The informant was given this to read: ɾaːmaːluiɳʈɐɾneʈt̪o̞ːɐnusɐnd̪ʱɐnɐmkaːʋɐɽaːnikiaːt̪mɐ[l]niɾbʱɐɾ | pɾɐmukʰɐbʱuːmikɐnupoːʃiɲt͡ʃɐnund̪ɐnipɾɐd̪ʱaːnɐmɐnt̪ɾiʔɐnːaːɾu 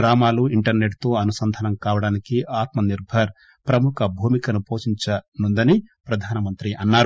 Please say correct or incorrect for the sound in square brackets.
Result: incorrect